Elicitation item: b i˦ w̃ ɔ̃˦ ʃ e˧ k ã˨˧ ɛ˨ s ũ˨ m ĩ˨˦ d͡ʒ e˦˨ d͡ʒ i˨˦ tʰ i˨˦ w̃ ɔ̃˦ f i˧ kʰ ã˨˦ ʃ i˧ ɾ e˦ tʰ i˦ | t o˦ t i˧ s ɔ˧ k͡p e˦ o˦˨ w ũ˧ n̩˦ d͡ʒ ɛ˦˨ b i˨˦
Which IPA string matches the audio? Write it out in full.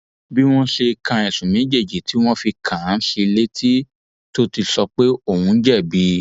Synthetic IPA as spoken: b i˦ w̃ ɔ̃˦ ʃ e˧ k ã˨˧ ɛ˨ s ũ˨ m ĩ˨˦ d͡ʒ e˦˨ d͡ʒ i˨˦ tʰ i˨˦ w̃ ɔ̃˦ f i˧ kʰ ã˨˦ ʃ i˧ l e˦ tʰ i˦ | t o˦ t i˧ s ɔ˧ k͡p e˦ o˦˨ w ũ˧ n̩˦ d͡ʒ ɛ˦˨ b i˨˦